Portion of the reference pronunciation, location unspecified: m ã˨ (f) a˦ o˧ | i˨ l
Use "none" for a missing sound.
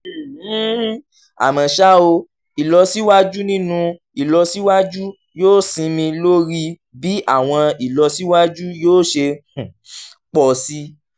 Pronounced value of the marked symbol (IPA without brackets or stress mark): ʃ